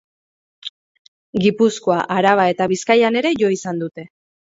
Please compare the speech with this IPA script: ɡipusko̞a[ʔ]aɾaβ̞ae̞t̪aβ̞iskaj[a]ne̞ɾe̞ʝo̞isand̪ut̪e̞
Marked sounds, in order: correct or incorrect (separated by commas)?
correct, correct